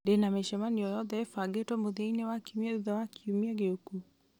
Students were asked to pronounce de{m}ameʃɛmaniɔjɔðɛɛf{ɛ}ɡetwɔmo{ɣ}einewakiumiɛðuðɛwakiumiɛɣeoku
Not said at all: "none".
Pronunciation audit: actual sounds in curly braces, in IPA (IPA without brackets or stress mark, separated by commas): n, a, ð